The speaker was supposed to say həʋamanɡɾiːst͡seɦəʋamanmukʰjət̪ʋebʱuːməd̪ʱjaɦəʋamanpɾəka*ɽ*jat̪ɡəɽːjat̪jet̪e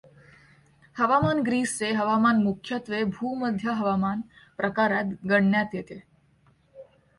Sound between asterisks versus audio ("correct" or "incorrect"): incorrect